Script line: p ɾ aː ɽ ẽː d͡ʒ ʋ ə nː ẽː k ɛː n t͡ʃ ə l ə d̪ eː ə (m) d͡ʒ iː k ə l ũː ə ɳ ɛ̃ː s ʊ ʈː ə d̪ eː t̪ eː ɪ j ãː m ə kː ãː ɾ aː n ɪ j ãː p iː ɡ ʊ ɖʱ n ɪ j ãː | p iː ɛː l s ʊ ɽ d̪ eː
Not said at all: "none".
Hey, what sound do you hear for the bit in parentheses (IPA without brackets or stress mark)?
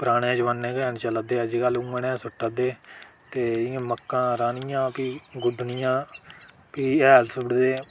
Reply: none